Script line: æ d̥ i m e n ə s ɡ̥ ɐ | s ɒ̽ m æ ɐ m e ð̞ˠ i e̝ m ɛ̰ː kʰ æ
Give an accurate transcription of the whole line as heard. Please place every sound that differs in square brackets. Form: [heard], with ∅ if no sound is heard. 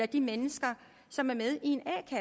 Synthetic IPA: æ d̥ i m e n ə s ɡ̥ ɐ | s ɒ̽ m æ ɐ m e ð̞ˠ i e̝ [n] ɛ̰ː kʰ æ